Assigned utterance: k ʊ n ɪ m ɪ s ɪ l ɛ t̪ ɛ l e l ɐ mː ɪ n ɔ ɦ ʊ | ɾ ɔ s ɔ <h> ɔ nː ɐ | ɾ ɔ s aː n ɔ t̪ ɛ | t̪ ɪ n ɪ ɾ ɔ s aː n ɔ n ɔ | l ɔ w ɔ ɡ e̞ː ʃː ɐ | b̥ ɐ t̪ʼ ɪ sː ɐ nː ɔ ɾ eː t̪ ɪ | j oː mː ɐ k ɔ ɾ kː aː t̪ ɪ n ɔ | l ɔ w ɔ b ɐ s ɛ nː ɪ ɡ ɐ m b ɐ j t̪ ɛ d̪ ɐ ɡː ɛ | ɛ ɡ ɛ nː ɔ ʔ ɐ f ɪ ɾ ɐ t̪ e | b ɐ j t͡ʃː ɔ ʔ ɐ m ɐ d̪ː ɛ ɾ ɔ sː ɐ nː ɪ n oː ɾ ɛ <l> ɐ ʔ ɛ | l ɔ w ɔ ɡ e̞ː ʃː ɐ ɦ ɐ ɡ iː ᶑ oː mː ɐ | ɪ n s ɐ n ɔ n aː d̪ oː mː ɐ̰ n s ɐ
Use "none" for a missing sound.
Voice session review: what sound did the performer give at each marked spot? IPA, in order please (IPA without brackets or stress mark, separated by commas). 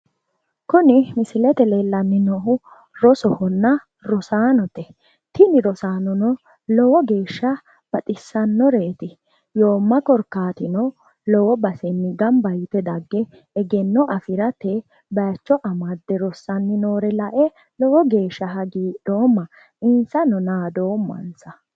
h, l